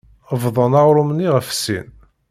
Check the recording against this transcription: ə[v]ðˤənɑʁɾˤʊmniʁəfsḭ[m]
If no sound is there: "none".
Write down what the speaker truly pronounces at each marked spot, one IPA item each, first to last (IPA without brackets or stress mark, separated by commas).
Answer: v, n